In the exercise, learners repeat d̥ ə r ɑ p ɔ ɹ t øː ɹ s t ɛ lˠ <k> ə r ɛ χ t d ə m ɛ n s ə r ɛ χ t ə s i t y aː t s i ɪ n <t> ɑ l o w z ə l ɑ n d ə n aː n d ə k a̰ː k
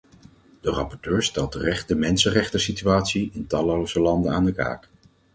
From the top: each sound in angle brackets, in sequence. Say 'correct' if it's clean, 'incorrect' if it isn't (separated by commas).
incorrect, correct